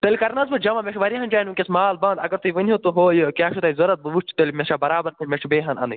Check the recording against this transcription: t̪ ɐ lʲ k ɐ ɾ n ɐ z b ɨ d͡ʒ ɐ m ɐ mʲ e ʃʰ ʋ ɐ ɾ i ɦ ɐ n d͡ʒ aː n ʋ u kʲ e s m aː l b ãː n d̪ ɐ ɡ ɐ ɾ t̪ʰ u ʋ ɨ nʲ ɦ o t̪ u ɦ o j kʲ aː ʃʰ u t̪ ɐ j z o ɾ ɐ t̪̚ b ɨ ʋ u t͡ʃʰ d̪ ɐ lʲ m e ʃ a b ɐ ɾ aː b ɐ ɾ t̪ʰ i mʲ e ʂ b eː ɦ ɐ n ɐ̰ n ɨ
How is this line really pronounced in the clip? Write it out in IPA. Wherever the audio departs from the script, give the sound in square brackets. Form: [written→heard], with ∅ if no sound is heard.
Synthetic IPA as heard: t̪ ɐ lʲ k ɐ ɾ n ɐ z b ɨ d͡ʒ ɐ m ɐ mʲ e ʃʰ ʋ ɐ ɾ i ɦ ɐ n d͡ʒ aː n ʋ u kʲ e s m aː l b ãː n d̪ ɐ ɡ ɐ ɾ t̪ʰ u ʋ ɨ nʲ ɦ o t̪ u ɦ o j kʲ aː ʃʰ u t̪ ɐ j z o ɾ ɐ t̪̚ b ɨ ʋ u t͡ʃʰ [d̪→t̪] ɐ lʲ m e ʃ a b ɐ ɾ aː b ɐ ɾ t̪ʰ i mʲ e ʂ b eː ɦ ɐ n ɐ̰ n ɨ